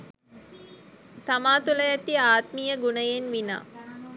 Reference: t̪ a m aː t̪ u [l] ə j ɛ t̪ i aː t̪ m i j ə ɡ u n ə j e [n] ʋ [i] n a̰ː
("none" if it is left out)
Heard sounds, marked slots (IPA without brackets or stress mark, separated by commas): l, n, i